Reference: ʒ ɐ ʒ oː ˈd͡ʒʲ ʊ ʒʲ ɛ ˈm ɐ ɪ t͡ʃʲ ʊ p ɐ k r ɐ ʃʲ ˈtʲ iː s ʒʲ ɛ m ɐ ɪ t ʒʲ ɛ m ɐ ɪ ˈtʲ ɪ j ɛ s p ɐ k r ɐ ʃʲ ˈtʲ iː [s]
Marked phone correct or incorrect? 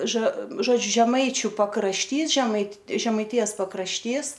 correct